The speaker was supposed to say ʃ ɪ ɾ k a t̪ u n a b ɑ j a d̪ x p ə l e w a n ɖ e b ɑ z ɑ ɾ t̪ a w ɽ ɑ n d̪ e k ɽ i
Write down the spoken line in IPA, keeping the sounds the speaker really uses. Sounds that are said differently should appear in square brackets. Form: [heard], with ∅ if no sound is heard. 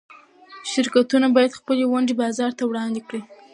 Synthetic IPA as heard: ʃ ɪ ɾ k a t̪ u n a b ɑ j a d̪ x p ə l e w a [ɳ] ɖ e b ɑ z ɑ ɾ t̪ a w ɽ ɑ n d̪ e k ɽ i